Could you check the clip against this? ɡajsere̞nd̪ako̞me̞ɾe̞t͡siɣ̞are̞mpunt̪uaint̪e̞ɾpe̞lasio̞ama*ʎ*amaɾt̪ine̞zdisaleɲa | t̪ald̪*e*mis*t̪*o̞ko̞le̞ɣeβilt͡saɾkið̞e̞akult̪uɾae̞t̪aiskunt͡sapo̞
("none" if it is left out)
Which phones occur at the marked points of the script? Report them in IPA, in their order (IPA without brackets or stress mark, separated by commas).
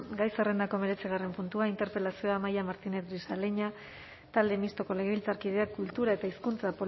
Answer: j, e, t̪